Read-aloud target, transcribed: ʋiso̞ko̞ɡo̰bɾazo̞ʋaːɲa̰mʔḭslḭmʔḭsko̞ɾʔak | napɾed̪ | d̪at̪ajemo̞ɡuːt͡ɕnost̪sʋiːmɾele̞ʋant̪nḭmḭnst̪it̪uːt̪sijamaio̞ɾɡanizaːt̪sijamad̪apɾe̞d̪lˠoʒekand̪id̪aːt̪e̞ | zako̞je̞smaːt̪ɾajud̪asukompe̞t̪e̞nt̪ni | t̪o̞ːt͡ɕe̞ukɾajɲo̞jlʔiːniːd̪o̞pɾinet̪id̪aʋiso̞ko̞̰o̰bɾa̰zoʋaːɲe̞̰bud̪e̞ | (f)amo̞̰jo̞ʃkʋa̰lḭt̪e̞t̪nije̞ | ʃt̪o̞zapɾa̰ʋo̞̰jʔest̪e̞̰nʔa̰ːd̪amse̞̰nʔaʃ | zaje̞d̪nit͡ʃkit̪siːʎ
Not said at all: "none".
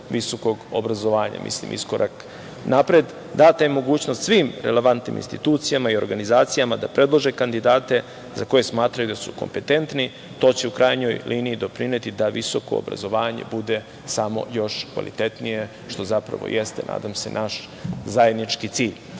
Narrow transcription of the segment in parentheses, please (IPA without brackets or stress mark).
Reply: s